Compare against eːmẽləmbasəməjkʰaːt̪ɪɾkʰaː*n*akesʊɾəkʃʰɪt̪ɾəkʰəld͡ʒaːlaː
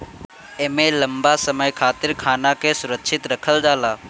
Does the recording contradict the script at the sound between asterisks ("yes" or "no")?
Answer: no